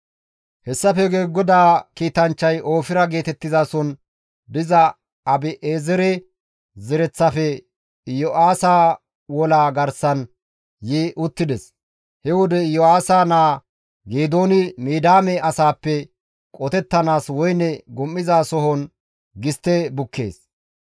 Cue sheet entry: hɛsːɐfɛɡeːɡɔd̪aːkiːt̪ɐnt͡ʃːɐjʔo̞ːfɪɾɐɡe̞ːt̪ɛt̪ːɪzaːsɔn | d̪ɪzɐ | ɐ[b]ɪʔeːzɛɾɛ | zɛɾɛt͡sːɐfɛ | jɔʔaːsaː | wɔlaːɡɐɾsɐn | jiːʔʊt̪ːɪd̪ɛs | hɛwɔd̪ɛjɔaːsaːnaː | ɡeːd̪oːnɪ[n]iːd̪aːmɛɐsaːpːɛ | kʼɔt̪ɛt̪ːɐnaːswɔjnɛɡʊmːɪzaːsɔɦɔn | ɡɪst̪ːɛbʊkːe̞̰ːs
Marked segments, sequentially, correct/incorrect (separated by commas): correct, incorrect